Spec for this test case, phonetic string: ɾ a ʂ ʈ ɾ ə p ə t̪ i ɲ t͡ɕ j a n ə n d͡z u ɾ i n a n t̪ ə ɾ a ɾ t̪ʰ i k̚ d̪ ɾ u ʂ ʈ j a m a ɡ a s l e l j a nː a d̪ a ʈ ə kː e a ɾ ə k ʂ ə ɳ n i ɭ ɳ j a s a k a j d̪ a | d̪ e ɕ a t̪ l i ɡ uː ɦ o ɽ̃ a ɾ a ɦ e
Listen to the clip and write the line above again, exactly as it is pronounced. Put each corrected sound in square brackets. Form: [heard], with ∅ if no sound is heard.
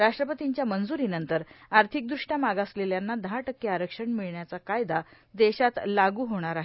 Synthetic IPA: ɾ a ʂ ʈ ɾ ə p ə t̪ i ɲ t͡ɕ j a [m] ə n d͡z u ɾ i n [ə] n t̪ ə ɾ a ɾ t̪ʰ i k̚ d̪ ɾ u ʂ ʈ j a m a ɡ a s l e l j a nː a d̪ a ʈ ə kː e a ɾ ə k ʂ ə ɳ [m] i ɭ ɳ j a [t͡s] a k a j d̪ a | d̪ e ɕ a t̪ l [a] ɡ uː ɦ o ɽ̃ a ɾ a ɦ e